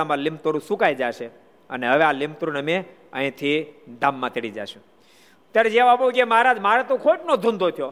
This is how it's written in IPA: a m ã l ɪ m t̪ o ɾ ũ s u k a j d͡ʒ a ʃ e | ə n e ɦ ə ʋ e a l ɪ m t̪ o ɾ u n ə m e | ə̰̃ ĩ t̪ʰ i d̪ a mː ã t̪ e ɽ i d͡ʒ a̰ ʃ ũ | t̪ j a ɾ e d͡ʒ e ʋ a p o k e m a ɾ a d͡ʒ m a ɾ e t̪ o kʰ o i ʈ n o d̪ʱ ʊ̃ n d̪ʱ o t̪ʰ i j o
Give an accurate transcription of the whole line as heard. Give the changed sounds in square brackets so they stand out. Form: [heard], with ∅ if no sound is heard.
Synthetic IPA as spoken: a m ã l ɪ m t̪ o ɾ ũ s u k a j d͡ʒ a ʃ e | ə n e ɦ ə ʋ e a l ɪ m t̪ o ɾ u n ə m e | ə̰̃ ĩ t̪ʰ i d̪ a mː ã t̪ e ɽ i d͡ʒ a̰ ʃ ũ | t̪ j a ɾ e d͡ʒ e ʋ a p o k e m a ɾ a d͡ʒ m a ɾ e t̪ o kʰ o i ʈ n o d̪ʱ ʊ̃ n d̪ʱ o t̪ʰ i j o